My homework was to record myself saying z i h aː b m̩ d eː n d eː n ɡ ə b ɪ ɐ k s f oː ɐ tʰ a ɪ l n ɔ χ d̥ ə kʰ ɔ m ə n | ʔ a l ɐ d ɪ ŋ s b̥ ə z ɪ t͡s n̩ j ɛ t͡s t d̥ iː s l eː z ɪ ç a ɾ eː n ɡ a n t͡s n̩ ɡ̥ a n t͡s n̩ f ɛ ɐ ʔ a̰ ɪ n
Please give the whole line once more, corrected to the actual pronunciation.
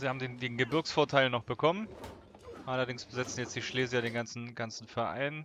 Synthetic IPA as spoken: z i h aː b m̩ d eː n d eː n ɡ ə b ɪ ɐ k s f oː ɐ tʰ a ɪ l n ɔ χ b̥ ə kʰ ɔ m ə n | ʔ a l ɐ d ɪ ŋ s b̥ ə z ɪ t͡s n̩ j ɛ t͡s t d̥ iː ʃ l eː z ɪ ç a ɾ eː n ɡ a n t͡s n̩ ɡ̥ a n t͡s n̩ f ɛ ɐ ʔ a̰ ɪ n